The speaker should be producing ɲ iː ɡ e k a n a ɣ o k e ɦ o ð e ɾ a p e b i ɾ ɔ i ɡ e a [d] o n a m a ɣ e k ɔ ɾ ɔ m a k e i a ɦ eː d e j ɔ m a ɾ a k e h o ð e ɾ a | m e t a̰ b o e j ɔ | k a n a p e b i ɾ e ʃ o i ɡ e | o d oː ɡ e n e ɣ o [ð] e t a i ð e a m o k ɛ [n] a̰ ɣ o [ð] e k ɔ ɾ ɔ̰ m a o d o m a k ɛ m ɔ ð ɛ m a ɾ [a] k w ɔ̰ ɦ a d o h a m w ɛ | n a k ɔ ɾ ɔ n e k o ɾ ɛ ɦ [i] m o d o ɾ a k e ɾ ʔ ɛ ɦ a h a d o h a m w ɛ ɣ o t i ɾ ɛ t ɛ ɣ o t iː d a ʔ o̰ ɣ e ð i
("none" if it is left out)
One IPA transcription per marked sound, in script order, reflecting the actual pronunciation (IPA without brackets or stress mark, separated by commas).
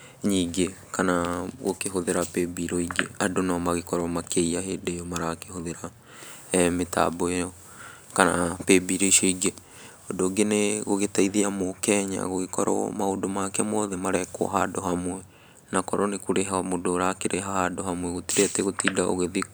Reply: d, ɣ, ɲ, ɣ, ɛ, a